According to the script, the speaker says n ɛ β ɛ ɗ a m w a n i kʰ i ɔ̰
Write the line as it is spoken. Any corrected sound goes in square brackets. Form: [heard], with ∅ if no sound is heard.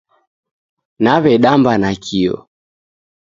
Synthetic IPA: n [a] β ɛ ɗ a m [b] a n [a] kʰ i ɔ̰